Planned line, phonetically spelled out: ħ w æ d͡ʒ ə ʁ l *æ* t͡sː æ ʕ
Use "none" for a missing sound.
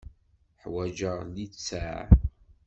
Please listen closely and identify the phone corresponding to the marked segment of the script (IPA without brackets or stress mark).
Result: i